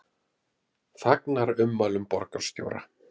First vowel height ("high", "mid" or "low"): low